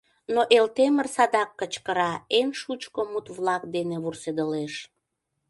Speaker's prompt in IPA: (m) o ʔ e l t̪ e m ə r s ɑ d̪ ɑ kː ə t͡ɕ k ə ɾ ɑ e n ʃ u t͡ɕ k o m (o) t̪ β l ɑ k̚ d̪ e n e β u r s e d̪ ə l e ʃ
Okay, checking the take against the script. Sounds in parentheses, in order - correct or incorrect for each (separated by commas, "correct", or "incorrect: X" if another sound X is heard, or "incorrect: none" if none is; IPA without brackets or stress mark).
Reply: incorrect: n, incorrect: u